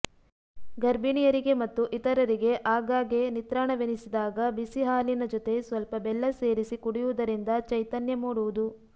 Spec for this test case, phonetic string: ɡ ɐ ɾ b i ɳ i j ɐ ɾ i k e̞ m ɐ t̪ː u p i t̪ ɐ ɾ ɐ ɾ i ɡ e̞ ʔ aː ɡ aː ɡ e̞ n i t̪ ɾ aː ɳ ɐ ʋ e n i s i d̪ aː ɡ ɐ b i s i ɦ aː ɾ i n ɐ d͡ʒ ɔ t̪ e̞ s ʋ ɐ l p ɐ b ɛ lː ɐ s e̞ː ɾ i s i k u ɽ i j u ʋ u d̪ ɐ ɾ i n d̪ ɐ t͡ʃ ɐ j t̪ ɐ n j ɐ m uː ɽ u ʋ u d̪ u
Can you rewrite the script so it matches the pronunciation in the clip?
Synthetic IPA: ɡ ɐ ɾ b i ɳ i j ɐ ɾ i ɡ e̞ m ɐ t̪ː u ʔ i t̪ ɐ ɾ ɐ ɾ i ɡ e̞ ʔ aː ɡ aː ɡ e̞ n i t̪ ɾ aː ɳ ɐ ʋ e n i s i d̪ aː ɡ ɐ b i s i ɦ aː l i n ɐ d͡ʒ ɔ t̪ e̞ s ʋ ɐ l p ɐ b ɛ lː ɐ s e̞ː ɾ i s i k u ɽ i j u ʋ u d̪ ɐ ɾ i n d̪ ɐ t͡ʃ ɐ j t̪ ɐ n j ɐ m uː ɽ u ʋ u d̪ u